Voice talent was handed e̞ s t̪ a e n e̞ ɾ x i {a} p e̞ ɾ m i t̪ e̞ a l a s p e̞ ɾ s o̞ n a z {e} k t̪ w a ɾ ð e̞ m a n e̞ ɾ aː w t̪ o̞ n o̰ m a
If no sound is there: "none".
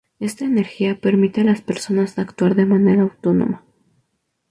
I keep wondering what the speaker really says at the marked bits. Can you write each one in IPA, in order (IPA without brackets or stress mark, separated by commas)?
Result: a, a